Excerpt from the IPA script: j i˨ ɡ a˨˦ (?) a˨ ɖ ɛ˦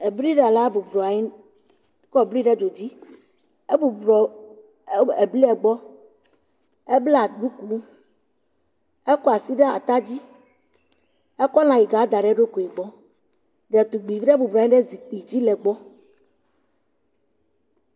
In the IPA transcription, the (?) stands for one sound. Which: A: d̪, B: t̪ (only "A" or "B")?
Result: A